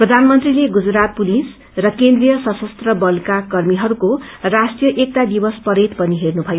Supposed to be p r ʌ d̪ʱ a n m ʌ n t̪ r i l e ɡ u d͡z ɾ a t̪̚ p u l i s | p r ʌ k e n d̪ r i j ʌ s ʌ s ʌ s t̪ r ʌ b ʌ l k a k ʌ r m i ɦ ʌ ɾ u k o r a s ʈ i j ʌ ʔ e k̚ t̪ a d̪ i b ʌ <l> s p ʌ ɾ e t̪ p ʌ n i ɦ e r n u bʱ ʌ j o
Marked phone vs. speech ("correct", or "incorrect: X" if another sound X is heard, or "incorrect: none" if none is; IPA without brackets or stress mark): incorrect: none